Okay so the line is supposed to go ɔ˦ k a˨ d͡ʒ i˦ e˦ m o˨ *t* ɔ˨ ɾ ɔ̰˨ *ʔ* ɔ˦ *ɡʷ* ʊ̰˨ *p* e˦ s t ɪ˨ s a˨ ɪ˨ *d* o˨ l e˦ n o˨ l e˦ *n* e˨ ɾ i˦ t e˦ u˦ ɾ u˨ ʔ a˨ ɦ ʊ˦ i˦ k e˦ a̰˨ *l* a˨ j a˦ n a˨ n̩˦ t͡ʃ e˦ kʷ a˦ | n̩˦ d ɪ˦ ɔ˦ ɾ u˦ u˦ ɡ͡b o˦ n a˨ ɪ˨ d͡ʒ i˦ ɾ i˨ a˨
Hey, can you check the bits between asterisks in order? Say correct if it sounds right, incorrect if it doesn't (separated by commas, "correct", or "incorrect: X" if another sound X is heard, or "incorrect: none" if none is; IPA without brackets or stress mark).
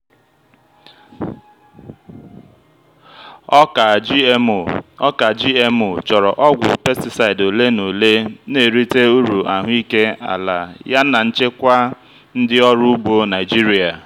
incorrect: t͡ʃ, correct, correct, correct, correct, correct, correct